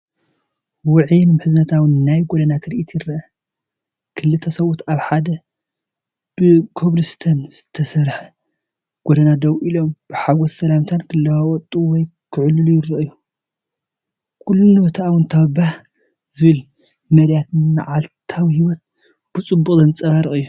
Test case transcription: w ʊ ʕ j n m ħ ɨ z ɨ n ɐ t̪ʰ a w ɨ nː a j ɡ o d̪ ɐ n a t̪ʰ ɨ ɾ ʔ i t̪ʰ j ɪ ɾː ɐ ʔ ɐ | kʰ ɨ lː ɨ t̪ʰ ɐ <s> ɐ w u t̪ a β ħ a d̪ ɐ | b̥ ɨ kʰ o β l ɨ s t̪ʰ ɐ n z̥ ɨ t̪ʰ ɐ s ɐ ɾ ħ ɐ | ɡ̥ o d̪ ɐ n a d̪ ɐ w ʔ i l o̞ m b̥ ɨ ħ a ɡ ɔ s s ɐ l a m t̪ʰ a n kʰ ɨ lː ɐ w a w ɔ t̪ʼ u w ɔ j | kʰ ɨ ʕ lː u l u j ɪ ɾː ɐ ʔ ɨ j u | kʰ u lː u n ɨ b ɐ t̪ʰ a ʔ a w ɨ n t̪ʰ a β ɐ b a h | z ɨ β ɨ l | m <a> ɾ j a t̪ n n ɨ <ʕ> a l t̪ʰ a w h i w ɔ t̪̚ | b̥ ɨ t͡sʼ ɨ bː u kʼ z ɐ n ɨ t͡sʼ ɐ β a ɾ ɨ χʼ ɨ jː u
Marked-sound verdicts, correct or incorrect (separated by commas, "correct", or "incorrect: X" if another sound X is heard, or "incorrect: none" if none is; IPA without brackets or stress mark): correct, incorrect: ɐ, correct